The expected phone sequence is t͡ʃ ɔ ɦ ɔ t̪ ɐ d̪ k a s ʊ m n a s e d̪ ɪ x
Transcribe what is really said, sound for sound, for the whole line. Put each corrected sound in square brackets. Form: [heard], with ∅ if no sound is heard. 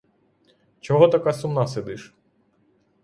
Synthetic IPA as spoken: t͡ʃ ɔ ɦ ɔ t̪ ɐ [∅] k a s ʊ m n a s e d̪ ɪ [ʃ]